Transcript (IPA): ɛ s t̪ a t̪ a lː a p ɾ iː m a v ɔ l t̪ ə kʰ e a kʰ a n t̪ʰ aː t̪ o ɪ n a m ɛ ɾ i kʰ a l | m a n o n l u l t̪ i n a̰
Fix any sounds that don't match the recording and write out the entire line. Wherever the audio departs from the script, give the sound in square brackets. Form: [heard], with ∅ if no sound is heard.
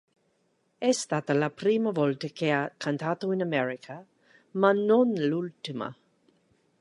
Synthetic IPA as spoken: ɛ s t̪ a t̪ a [l] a p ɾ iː m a v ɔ l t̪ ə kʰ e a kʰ a n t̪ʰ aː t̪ o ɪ n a m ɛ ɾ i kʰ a [∅] | m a n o n l u l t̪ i [m] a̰